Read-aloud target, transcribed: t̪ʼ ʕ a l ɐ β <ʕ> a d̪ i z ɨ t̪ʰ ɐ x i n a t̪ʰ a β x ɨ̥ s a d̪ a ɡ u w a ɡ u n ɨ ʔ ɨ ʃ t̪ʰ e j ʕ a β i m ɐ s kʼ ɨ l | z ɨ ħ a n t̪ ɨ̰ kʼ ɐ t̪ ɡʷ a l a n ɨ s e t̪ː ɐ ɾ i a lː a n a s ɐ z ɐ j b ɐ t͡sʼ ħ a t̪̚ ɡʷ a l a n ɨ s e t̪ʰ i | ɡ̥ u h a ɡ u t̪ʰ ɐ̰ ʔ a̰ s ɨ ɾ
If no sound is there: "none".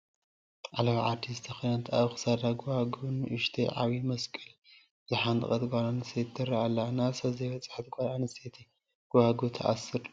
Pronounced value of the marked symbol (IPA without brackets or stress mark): ʕ